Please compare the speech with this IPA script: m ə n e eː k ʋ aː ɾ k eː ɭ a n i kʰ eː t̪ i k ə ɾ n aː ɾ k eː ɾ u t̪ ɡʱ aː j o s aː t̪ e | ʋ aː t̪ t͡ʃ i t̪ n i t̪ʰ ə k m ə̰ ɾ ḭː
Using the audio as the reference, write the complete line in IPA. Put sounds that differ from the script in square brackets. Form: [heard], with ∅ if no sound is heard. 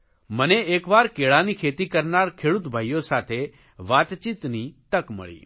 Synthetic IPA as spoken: m ə n e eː k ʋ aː ɾ k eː ɭ a n i kʰ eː t̪ i k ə ɾ n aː ɾ [kʰ] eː [ɽ] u t̪ [bʱ] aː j o s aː [t̪ʰ] e | ʋ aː t̪ t͡ʃ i t̪ n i [t̪] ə k m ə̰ [ɭ] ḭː